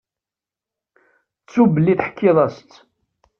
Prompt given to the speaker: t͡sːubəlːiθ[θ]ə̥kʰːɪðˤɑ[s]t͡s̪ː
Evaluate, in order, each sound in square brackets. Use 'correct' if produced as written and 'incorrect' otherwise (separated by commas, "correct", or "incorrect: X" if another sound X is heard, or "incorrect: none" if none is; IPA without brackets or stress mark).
incorrect: ħ, correct